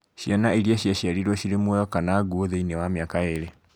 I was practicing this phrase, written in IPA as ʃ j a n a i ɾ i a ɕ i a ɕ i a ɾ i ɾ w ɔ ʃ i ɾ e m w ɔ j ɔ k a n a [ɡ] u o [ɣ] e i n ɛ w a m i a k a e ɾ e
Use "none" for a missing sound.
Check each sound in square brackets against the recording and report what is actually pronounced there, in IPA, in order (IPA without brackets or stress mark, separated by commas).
ɡ, ð